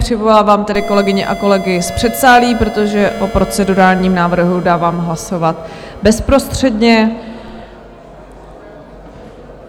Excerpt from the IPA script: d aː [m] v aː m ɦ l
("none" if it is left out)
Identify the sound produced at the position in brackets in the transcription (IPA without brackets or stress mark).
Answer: none